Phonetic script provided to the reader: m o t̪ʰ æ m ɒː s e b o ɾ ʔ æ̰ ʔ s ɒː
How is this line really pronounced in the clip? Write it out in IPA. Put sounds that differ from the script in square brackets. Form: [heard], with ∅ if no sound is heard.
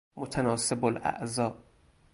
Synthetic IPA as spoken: m o t̪ʰ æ [n] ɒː s e b o [l] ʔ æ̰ ʔ [z] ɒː